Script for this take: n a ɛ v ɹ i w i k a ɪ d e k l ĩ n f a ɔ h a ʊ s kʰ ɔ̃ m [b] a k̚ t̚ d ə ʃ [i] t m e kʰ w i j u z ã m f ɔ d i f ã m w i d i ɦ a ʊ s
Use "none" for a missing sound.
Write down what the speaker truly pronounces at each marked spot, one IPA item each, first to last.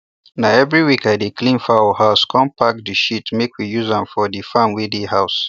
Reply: p, i

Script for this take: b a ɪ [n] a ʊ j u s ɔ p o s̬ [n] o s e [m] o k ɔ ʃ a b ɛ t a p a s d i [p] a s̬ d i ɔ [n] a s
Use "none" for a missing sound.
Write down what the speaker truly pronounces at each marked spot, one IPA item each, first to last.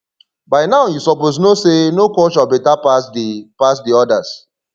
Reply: n, n, n, p, d

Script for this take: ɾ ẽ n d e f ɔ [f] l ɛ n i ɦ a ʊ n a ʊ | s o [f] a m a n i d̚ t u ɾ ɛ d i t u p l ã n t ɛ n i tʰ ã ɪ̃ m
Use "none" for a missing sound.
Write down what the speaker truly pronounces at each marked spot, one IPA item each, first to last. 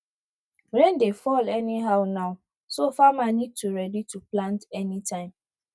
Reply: none, f

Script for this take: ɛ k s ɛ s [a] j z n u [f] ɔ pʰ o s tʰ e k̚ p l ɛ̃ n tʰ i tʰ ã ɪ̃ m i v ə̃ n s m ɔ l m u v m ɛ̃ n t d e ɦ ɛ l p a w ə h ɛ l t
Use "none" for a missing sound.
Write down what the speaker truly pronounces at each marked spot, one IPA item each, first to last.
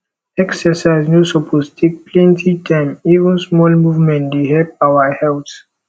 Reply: a, s

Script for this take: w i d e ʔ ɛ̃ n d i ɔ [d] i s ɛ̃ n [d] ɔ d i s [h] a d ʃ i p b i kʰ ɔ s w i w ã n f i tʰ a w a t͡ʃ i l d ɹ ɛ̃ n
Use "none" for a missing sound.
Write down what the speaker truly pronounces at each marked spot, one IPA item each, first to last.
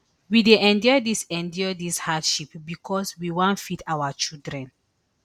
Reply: d, d, h

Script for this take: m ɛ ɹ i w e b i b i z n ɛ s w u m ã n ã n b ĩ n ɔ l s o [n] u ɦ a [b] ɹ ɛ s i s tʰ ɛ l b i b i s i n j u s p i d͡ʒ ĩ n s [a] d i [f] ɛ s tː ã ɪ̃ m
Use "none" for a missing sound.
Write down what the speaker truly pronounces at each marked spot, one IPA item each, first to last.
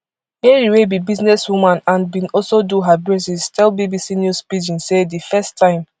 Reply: d, b, e, f

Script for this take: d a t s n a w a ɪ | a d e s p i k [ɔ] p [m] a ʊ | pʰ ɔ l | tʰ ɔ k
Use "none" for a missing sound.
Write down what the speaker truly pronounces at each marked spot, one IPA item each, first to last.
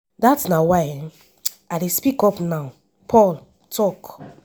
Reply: ɔ, n

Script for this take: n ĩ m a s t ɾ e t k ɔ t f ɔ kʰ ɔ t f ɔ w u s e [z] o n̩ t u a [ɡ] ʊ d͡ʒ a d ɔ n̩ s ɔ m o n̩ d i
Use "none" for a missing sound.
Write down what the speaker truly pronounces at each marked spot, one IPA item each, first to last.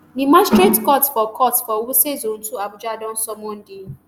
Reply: z, b

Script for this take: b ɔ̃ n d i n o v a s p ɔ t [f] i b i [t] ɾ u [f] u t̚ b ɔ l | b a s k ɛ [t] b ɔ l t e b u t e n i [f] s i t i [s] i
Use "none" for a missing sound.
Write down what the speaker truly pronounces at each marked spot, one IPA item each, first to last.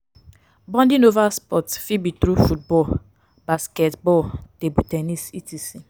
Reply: f, t, f, t, none, s

